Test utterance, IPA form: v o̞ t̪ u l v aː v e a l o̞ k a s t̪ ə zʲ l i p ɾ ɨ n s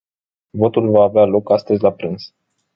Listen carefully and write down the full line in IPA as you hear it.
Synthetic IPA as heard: v o̞ t̪ u l v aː v e a l o̞ k a s t̪ ə zʲ l a p ɾ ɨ n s